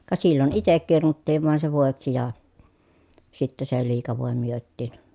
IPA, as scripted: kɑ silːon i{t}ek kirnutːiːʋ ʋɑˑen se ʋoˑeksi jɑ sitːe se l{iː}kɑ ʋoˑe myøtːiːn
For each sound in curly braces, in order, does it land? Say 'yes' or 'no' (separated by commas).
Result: yes, yes